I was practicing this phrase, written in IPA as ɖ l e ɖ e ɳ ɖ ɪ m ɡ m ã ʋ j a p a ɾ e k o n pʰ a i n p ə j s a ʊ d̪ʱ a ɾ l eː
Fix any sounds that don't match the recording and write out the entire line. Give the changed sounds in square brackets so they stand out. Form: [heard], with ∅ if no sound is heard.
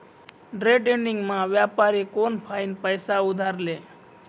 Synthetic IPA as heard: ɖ [ɾ] e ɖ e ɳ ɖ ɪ [ŋ] ɡ m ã ʋ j a p a ɾ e k o n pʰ a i n p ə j s a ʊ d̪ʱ a ɾ l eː